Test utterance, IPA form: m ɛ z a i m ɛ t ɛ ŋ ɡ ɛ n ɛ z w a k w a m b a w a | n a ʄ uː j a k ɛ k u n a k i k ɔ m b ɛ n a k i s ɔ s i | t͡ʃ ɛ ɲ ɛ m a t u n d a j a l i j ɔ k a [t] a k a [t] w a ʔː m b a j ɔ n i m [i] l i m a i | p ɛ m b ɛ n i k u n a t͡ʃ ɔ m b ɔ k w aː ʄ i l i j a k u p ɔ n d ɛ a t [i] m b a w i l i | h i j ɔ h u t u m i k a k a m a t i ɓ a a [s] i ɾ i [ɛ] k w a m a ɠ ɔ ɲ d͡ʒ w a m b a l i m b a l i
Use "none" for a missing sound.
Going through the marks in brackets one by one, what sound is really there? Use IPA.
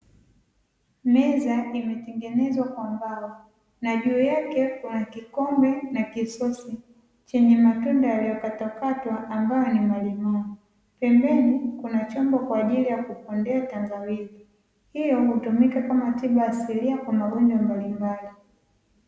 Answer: t, t, a, a, s, a

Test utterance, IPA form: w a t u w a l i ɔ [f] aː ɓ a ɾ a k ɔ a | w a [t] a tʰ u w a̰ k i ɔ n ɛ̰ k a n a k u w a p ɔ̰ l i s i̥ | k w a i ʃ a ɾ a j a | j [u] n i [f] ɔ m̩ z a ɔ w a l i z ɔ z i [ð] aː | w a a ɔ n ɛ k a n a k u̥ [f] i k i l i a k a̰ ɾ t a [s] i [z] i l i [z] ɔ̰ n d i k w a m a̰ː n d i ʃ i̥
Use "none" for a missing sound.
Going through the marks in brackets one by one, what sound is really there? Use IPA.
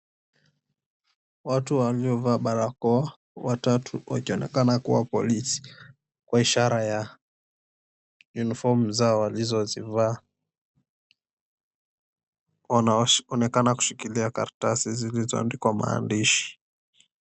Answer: v, t, u, f, v, ʃ, s, z, z

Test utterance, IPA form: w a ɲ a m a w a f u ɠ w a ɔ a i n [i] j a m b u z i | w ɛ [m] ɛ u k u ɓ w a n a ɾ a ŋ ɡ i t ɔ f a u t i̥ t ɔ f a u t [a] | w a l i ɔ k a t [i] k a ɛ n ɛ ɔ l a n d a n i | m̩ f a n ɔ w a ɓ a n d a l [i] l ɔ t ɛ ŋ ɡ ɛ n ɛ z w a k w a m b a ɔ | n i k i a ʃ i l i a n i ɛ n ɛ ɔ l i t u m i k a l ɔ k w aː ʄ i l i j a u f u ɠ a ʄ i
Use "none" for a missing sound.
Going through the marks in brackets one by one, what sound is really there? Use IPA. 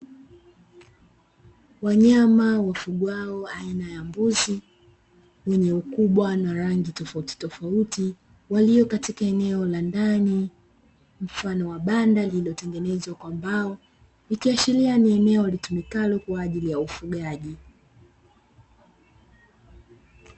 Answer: a, ɲ, i, i, i

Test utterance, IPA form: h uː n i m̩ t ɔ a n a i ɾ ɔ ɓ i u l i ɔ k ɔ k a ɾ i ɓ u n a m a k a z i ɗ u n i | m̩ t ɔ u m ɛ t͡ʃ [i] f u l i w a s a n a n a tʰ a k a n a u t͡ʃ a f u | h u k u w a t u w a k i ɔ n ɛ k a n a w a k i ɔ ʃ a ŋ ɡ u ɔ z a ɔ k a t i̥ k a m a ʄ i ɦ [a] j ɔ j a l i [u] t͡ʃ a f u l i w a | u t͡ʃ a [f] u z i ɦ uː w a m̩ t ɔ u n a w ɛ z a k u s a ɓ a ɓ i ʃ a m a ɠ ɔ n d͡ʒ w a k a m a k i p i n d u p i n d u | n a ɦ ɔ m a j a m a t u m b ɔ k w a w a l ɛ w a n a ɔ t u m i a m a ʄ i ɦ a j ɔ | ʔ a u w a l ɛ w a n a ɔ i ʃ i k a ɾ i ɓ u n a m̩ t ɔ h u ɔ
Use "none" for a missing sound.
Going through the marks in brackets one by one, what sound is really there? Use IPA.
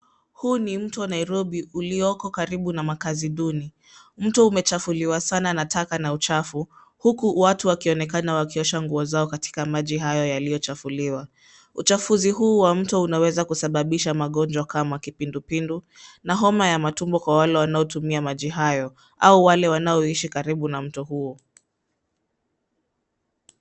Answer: a, a, ɔ, f

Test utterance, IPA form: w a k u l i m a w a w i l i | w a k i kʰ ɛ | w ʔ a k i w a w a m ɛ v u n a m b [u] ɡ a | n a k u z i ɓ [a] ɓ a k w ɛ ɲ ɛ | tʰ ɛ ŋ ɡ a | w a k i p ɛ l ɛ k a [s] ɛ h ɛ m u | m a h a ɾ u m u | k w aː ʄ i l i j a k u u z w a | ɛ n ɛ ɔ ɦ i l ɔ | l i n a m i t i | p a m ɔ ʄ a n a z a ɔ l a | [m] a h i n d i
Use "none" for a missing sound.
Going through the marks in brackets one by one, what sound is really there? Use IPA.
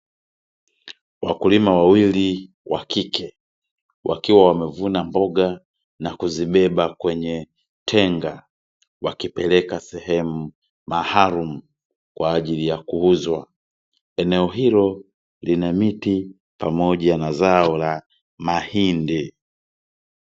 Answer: ɔ, ɛ, s, m

